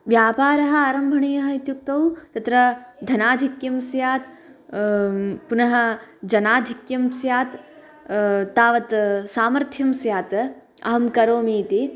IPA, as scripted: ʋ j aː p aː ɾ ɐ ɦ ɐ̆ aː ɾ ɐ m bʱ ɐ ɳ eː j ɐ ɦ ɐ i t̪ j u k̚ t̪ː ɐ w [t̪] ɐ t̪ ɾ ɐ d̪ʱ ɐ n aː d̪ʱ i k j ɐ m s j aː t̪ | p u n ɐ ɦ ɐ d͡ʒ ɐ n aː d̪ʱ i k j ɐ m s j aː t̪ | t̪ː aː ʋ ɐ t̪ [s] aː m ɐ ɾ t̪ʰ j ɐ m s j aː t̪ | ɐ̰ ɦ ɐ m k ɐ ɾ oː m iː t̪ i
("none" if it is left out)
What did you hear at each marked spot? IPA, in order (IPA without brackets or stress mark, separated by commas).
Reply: t̪, s